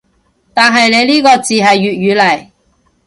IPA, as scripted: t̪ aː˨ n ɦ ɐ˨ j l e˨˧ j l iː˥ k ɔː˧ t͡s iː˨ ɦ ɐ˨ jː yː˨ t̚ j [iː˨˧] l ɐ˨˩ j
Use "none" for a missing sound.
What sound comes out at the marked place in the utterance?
yː˨˧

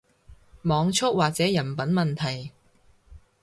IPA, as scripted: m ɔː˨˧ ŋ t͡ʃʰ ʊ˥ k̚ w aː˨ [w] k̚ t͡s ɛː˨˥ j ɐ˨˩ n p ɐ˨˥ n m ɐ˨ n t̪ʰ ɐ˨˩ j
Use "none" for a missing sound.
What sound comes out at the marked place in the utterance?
none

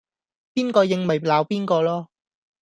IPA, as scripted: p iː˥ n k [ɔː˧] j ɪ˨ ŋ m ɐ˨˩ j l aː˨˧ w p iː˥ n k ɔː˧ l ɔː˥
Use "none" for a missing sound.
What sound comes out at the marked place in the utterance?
ɔː˧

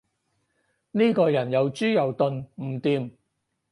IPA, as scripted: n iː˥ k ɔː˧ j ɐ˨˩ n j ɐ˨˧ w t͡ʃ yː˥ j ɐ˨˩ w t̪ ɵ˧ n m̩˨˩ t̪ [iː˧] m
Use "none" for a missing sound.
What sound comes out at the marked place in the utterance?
iː˧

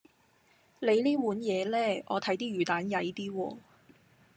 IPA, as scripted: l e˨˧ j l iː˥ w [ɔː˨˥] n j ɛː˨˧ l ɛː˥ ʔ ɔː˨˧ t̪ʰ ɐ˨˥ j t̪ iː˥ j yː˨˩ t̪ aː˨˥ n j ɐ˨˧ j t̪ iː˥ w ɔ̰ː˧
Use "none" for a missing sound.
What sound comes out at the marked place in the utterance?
uː˨˥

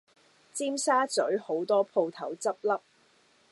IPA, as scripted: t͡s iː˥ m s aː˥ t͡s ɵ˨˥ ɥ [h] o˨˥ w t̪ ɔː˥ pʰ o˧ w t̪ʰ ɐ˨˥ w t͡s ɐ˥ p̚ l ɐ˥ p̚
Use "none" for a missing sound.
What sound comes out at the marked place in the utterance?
h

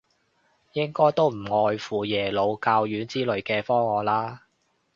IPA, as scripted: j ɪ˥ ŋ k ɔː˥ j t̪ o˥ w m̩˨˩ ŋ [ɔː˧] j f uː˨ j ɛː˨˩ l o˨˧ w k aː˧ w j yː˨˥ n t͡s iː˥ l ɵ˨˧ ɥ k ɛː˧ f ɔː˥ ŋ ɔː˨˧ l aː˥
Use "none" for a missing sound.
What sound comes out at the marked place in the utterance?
ɔː˧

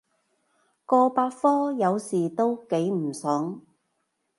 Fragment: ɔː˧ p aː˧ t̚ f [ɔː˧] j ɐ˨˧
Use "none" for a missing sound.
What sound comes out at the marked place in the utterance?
ɔː˥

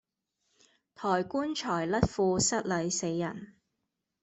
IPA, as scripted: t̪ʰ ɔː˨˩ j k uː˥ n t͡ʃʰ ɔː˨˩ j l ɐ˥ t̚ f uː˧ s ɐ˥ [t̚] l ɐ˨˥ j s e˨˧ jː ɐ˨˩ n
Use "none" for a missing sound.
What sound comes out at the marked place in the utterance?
t̚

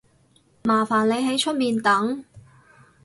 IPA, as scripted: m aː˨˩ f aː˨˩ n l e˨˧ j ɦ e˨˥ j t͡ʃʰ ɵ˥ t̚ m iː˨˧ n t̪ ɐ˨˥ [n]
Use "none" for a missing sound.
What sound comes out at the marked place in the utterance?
ŋ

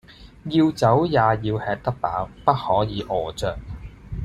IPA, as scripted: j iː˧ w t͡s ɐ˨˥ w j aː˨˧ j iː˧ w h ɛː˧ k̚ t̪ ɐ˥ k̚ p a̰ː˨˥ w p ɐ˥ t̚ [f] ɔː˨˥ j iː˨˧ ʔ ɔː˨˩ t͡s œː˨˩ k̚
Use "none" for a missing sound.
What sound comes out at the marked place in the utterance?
h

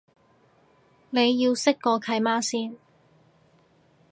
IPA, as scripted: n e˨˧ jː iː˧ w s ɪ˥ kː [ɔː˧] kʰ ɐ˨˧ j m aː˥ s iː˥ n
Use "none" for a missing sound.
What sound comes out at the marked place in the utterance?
ɔː˧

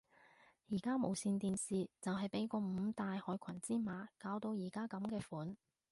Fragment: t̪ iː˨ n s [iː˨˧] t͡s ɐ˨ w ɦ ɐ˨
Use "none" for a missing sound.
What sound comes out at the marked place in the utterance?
iː˨˧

